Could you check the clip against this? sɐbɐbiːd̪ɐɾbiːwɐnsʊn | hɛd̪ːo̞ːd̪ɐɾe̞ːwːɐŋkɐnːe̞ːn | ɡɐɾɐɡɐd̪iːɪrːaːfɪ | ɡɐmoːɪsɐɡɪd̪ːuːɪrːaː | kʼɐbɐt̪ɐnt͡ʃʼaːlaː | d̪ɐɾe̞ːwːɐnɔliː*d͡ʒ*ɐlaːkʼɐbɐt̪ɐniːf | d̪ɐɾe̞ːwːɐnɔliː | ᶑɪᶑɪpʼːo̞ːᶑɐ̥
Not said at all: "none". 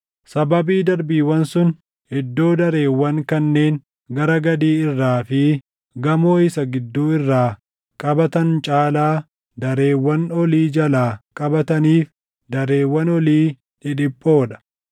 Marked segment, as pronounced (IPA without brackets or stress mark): d͡ʒ